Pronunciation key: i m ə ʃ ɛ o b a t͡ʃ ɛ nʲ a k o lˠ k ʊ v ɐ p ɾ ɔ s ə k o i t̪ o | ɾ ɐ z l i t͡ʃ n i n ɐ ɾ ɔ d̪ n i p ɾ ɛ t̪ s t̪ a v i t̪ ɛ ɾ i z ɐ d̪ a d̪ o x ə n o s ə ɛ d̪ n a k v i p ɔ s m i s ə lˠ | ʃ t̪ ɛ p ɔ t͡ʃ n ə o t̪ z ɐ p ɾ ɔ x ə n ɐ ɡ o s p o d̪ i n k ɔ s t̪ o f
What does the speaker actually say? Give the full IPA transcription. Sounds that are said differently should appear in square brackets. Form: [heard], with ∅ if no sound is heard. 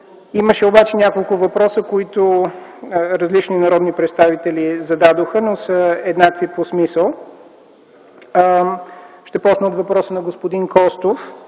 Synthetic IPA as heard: i m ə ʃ ɛ o b a t͡ʃ ɛ nʲ a k o lˠ k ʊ v ɐ p ɾ ɔ s ə k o i t̪ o | ɾ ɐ z l i t͡ʃ n i n ɐ ɾ ɔ d̪ n i p ɾ ɛ t̪ s t̪ a v i t̪ ɛ [l] i z ɐ d̪ a d̪ o x ə n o s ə ɛ d̪ n a k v i p [o] s m i s ə lˠ | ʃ t̪ ɛ p ɔ t͡ʃ n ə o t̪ [v] ɐ p ɾ ɔ [s] ə n ɐ ɡ o s p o d̪ i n k ɔ s t̪ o f

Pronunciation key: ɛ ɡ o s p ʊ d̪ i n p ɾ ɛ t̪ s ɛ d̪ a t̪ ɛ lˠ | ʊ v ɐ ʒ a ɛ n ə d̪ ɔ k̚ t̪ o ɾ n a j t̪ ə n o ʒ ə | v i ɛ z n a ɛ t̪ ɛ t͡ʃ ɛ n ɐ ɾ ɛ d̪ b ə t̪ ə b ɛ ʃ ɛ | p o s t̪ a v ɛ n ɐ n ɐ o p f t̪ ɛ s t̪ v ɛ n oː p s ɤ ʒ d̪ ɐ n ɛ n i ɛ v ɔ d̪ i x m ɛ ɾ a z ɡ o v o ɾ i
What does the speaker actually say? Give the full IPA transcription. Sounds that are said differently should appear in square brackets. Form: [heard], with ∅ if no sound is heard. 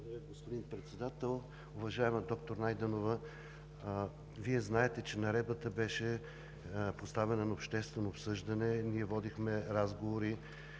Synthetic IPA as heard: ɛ ɡ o s p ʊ d̪ i n p ɾ ɛ t̪ s ɛ d̪ a t̪ ɛ lˠ | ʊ v ɐ ʒ a ɛ [m] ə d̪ ɔ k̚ t̪ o ɾ n a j [d̪] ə n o [v] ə | v i ɛ z n a ɛ t̪ ɛ t͡ʃ ɛ n ɐ ɾ ɛ d̪ b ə t̪ ə b ɛ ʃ ɛ | p o s t̪ a v ɛ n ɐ n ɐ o p [ʃ] t̪ ɛ s t̪ v ɛ n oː p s ɤ ʒ d̪ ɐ n ɛ n i ɛ v ɔ d̪ i x m ɛ ɾ a z ɡ o v o ɾ i

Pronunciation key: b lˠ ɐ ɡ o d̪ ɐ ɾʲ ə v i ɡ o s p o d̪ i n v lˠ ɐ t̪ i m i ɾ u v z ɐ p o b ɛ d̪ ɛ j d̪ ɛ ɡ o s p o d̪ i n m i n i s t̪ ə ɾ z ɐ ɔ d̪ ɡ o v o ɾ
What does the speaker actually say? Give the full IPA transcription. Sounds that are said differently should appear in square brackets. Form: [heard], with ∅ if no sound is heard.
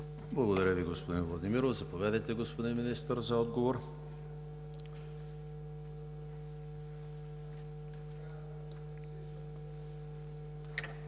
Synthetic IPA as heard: b lˠ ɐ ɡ o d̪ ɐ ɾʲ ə v i ɡ o s p o d̪ i n v lˠ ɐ [d̪] i m i ɾ [o] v z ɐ p o [v] ɛ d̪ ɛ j [t̪] ɛ ɡ o s p o d̪ i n m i n i s t̪ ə ɾ z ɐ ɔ d̪ ɡ o v o ɾ

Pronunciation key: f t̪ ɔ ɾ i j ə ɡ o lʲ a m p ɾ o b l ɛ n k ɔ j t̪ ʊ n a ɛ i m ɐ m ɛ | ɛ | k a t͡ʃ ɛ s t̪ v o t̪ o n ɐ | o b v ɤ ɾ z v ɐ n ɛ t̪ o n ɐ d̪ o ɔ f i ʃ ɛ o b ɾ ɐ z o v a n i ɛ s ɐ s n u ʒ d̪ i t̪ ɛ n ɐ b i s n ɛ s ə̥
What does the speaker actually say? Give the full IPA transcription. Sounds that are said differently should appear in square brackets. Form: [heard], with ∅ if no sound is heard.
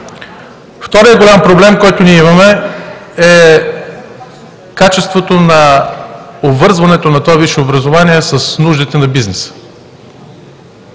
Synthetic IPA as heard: f t̪ ɔ ɾ i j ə ɡ o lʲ a m p ɾ o b l ɛ [m] k ɔ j t̪ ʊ n [i] ɛ i m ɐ m ɛ | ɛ | k a t͡ʃ ɛ s t̪ v o t̪ o n ɐ | o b v ɤ ɾ z v ɐ n ɛ t̪ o n ɐ [t̪] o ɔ [v] i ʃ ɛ o b ɾ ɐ z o v a n i ɛ s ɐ s n u ʒ d̪ i t̪ ɛ n ɐ b i [z] n ɛ s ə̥

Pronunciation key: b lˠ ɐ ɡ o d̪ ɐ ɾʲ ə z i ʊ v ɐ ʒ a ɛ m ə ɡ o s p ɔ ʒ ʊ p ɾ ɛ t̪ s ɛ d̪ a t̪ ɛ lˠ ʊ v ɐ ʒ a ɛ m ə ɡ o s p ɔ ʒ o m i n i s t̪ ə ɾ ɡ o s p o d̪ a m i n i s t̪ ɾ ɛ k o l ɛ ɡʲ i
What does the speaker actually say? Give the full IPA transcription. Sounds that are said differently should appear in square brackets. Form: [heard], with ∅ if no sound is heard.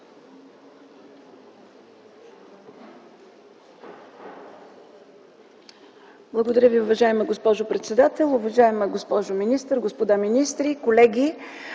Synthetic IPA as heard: b lˠ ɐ ɡ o d̪ ɐ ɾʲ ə [v] i ʊ v ɐ ʒ a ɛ m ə ɡ o s p ɔ ʒ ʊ p ɾ ɛ t̪ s ɛ d̪ a t̪ ɛ lˠ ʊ v ɐ ʒ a ɛ m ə ɡ o s p ɔ ʒ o m i n i s t̪ ə ɾ ɡ o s p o d̪ a m i n i s t̪ ɾ [i] k o l ɛ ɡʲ i

